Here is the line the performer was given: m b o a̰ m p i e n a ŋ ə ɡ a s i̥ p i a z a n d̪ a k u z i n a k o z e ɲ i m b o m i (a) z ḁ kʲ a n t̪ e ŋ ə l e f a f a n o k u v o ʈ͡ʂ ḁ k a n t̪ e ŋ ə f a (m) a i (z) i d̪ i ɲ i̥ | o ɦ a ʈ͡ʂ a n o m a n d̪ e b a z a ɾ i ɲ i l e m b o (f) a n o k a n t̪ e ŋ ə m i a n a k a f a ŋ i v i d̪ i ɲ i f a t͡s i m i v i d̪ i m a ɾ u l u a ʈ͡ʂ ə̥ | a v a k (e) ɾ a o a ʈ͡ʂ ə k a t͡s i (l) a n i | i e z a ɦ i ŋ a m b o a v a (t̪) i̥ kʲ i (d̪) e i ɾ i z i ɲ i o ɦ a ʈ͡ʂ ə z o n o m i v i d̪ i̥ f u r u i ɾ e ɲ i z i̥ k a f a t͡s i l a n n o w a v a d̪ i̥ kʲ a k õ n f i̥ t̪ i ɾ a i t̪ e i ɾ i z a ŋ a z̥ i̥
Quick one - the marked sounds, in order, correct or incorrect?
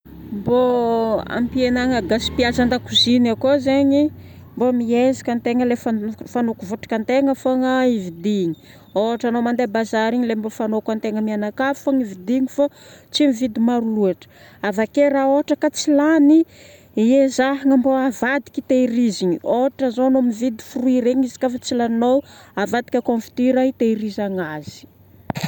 incorrect: e, incorrect: ŋ, incorrect: v, correct, correct, correct, incorrect: d̪, incorrect: t̪

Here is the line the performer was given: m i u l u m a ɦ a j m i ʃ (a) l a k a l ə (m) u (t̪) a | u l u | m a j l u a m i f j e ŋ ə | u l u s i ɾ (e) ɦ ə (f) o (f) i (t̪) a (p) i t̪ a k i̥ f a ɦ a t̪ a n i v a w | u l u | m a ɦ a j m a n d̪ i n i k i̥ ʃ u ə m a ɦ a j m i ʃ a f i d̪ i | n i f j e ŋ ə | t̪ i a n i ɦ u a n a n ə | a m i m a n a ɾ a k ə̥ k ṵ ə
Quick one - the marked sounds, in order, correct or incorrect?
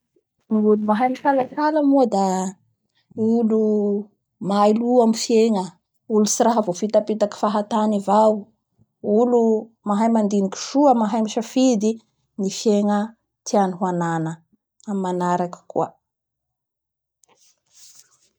correct, correct, incorrect: d̪, incorrect: a, incorrect: v, correct, correct, correct

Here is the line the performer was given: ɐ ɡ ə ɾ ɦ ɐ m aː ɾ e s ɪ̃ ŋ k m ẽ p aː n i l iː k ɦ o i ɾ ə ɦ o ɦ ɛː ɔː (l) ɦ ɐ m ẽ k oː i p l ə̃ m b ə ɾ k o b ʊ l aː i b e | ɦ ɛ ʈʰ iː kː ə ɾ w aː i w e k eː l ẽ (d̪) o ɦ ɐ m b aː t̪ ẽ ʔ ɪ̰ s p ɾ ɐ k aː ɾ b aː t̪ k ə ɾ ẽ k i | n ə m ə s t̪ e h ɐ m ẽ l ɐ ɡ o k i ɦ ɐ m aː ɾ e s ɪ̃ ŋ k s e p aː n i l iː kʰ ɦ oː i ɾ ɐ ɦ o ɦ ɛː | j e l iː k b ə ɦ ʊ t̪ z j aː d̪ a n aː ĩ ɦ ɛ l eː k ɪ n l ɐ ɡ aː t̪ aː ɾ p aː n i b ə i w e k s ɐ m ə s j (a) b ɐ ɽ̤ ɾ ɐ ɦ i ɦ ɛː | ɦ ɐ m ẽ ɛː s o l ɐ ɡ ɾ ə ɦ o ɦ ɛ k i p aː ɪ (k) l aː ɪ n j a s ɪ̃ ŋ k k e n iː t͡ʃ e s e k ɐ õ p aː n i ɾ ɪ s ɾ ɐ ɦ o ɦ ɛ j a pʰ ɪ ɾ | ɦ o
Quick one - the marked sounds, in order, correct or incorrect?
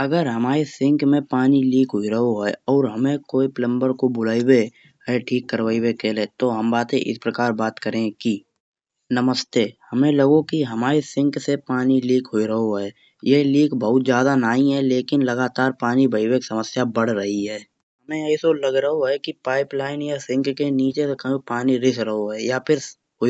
incorrect: ɾ, incorrect: t̪, correct, incorrect: p

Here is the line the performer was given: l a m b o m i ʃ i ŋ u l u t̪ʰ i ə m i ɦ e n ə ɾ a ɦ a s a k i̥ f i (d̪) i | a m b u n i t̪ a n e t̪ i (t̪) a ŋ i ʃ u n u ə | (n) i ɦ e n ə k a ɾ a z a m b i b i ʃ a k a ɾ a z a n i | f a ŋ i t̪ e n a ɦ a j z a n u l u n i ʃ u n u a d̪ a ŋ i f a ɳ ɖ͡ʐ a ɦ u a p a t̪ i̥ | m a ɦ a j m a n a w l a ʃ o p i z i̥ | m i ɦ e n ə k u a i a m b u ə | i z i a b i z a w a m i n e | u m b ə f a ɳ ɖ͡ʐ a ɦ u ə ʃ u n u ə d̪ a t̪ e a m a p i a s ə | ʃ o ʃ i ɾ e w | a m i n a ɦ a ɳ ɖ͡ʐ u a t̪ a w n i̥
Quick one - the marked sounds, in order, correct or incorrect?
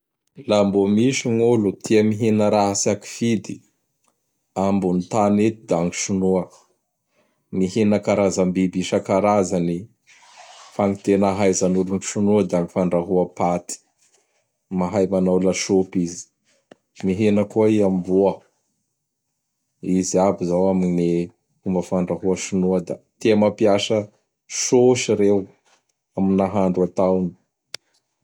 correct, incorrect: d̪, incorrect: m

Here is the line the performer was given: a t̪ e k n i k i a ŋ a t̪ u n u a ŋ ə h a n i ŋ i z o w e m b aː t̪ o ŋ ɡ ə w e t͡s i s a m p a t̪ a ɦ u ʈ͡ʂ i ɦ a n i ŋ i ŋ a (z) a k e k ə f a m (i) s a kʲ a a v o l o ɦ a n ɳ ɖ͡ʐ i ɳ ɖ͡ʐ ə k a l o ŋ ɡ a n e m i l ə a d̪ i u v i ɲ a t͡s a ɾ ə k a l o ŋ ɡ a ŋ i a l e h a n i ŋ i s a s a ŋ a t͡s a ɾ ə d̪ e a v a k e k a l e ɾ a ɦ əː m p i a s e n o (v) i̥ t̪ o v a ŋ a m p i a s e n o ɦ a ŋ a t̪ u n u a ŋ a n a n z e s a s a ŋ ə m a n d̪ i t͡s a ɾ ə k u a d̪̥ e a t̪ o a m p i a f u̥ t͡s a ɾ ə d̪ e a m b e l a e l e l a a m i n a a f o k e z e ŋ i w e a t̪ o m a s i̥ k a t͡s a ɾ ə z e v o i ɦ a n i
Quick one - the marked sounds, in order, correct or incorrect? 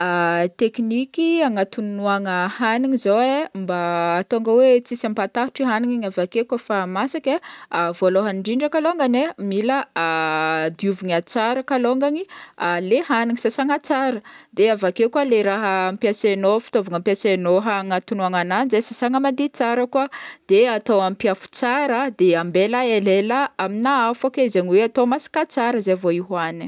incorrect: v, incorrect: a, incorrect: f

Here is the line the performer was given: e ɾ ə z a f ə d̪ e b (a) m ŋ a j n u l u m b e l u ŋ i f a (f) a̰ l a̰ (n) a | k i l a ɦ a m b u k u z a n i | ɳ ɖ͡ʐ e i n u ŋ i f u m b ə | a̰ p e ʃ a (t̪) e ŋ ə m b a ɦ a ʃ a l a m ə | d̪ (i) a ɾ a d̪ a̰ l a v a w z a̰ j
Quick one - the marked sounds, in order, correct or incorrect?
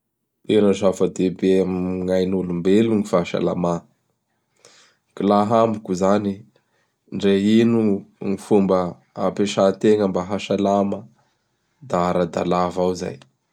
incorrect: e, incorrect: ʃ, incorrect: m, correct, incorrect: a

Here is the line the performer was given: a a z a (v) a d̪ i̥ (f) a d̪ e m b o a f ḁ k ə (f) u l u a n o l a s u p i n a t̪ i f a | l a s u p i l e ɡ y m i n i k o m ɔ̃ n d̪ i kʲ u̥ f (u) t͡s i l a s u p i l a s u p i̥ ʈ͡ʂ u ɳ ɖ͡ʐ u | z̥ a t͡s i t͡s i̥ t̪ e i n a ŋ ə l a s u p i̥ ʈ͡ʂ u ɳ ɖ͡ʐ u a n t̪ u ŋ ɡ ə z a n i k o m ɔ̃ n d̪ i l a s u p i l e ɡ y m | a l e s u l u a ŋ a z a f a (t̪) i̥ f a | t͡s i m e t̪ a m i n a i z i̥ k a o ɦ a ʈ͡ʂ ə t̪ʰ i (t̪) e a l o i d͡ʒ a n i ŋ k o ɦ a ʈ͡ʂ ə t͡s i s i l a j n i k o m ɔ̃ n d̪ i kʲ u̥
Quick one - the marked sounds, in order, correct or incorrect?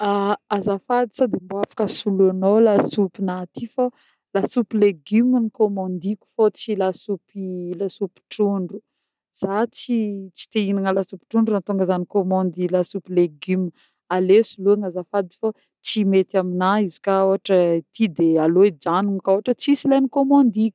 incorrect: f, incorrect: s, incorrect: s, incorrect: o, incorrect: d̪, incorrect: d̪

